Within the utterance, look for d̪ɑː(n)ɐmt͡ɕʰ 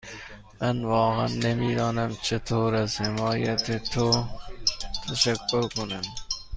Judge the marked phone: correct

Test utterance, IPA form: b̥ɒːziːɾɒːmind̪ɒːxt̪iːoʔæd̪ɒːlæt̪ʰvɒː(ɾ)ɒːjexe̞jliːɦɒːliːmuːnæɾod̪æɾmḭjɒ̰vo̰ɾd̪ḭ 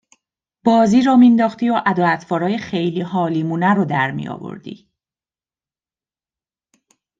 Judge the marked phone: correct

